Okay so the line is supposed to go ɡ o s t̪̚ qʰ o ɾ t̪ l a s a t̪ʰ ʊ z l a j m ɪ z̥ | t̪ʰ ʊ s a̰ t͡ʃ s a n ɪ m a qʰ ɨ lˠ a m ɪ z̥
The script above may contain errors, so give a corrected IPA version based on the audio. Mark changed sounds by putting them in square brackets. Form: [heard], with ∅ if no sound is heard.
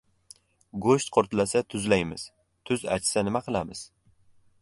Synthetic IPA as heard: ɡ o [ʃ] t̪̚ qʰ o ɾ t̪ l a s a t̪ʰ ʊ z l a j m ɪ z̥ | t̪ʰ ʊ [z] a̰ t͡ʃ s a n ɪ m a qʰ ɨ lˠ a m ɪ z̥